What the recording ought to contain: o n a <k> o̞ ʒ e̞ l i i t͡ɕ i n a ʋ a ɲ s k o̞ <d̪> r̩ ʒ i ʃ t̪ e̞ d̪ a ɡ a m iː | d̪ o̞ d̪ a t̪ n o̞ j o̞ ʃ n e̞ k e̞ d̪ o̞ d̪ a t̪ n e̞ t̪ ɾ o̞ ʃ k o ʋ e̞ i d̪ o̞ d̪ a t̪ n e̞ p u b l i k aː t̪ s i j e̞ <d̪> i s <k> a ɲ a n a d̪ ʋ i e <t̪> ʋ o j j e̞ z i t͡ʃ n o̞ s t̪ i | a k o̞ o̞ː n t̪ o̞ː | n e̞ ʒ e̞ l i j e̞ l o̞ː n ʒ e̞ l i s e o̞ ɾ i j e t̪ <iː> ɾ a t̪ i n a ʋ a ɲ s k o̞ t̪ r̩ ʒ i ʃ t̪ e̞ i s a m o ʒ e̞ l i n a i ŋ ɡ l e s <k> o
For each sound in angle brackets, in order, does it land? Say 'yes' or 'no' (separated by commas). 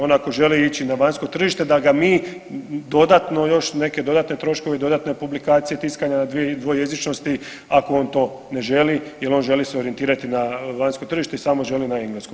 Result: yes, no, no, yes, no, yes, yes